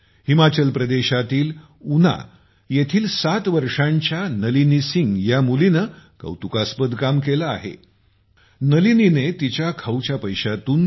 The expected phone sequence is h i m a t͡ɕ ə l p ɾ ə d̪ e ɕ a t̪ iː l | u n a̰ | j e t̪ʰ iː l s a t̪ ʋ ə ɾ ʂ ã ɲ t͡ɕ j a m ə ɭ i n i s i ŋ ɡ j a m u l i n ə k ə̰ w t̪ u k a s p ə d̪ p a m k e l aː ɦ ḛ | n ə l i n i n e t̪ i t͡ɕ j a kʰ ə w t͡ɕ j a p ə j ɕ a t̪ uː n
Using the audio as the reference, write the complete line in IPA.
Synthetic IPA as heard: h i m a t͡ɕ ə l p ɾ ə d̪ e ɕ a t̪ iː l | u n a̰ | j e t̪ʰ iː l s a t̪ ʋ ə ɾ ʂ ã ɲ t͡ɕ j a n ə l i n i s i ŋ ɡ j a m u l i n ə k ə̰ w t̪ u k a s p ə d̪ k a m k e l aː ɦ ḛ | n ə l i n i n e t̪ i t͡ɕ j a kʰ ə w t͡ɕ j a p ə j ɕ a t̪ uː n